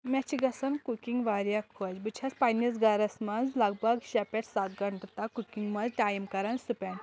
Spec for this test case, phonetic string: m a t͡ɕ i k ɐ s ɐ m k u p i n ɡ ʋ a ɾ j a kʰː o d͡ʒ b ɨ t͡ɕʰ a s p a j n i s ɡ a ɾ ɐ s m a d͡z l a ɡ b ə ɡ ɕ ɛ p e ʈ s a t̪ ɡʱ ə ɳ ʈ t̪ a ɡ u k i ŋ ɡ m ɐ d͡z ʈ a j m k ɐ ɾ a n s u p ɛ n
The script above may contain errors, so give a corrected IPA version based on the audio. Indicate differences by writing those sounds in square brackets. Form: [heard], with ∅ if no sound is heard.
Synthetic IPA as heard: m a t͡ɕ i [ɡ] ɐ s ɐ [n] k u [k] i [ŋ] ɡ ʋ a ɾ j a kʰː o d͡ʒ b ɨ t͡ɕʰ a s p a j n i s ɡ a ɾ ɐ s m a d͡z l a ɡ b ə ɡ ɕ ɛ p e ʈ s a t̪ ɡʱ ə ɳ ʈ t̪ a [k] u k i ŋ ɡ m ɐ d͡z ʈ a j m k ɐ ɾ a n s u p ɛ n

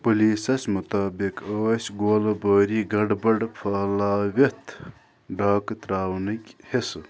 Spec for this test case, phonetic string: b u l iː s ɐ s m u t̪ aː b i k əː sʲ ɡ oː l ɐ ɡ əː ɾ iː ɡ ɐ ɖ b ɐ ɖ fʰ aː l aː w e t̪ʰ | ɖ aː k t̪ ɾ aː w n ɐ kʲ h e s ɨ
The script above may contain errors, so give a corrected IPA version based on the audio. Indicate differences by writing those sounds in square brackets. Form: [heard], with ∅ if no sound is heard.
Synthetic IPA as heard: [p] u l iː s ɐ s m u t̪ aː b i k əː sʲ ɡ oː l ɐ [b] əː ɾ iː ɡ ɐ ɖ b ɐ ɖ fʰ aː l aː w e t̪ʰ | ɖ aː k t̪ ɾ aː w n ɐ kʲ h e s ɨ

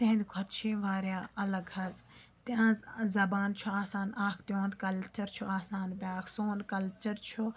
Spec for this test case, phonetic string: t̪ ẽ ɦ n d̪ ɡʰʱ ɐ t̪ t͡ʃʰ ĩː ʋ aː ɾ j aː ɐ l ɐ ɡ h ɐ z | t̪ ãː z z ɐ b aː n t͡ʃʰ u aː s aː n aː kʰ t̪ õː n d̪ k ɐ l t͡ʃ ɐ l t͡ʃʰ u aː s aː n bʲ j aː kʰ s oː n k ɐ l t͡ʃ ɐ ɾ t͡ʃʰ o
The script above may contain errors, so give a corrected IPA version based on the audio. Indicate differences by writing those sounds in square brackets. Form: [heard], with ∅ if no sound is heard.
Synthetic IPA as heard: t̪ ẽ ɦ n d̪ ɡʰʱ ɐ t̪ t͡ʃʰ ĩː ʋ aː ɾ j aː ɐ l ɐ ɡ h ɐ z | t̪ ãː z z ɐ b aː n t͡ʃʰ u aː s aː n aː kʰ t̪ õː n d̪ k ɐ l t͡ʃ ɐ [ɾ] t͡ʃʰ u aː s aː n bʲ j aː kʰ s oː n k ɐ l t͡ʃ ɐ ɾ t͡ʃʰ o

